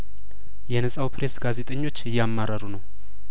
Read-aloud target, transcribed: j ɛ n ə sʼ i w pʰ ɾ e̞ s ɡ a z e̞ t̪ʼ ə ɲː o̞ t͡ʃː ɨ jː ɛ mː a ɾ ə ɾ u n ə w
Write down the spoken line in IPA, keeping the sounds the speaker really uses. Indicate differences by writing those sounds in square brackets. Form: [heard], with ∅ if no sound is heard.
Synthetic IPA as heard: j ɛ n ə sʼ [a] w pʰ ɾ e̞ s ɡ a z e̞ t̪ʼ ə ɲː o̞ t͡ʃː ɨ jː [a] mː a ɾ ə ɾ u n ə w